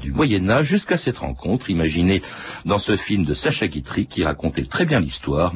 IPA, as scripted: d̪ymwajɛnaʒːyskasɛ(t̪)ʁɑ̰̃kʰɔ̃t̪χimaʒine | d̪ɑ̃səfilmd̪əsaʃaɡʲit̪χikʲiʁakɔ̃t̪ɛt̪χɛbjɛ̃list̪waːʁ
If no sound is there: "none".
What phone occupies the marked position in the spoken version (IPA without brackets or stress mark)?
t̪